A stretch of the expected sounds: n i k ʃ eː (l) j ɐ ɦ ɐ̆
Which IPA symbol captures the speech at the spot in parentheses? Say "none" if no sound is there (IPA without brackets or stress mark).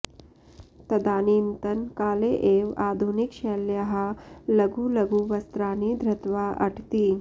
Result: l